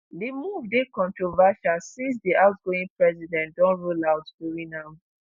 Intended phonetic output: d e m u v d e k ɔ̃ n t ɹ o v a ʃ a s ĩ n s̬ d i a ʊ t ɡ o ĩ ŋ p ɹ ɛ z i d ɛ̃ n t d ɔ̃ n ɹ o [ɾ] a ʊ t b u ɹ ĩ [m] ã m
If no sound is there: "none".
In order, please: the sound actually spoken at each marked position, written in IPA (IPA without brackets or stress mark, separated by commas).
l, n